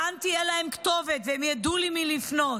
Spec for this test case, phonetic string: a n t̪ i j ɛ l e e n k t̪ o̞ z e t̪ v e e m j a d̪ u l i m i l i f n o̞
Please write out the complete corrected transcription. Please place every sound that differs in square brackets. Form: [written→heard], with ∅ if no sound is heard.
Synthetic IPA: a n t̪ i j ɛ l [e→a] e [n→m] k t̪ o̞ [z→v] e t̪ v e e m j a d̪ u l i m i l i f n o̞